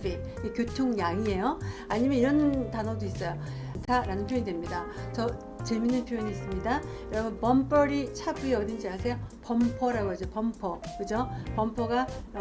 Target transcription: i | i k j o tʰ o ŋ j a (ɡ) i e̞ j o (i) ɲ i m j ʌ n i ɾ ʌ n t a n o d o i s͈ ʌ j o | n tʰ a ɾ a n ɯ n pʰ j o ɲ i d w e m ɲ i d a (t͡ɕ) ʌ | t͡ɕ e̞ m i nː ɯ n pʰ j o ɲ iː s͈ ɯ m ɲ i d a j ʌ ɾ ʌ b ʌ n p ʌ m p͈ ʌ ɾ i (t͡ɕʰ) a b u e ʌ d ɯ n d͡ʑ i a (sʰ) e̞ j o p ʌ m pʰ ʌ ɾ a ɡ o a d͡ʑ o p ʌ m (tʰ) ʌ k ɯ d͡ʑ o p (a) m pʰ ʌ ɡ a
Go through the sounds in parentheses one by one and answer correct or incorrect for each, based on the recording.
incorrect, incorrect, correct, correct, correct, incorrect, incorrect

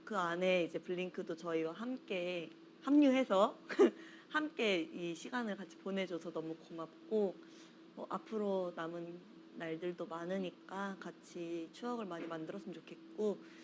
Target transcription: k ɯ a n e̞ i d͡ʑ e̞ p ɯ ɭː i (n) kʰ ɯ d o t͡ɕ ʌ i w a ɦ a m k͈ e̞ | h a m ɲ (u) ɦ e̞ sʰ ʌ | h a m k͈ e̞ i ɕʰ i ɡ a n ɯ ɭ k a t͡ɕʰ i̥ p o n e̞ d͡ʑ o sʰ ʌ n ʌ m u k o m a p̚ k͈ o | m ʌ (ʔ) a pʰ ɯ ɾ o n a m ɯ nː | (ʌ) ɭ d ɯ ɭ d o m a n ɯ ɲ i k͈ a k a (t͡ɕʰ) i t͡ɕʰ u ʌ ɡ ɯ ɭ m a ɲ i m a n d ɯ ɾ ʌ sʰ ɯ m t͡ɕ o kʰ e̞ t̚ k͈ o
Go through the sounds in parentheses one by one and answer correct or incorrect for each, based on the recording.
incorrect, correct, correct, incorrect, correct

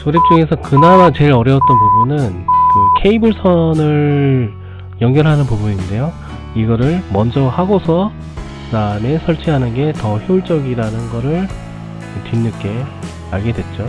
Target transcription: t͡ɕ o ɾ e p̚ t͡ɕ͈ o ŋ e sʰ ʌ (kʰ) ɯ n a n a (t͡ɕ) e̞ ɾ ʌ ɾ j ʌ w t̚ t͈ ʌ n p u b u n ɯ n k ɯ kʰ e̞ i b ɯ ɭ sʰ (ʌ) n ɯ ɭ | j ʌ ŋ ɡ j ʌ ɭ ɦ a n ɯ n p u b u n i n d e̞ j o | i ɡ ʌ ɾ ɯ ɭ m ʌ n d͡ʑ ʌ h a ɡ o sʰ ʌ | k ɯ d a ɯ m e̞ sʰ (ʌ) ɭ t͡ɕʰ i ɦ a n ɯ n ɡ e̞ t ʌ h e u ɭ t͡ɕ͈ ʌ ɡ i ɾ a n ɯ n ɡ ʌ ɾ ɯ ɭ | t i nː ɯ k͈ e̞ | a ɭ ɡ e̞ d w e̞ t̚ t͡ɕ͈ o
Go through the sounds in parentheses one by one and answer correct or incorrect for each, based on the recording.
incorrect, correct, correct, correct

